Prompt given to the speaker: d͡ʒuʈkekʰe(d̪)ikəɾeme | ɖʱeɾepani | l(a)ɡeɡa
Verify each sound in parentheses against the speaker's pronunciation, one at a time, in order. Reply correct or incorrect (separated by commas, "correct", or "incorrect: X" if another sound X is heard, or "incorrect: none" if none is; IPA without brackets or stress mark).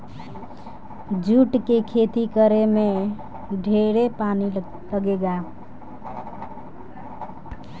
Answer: incorrect: t̪, incorrect: ə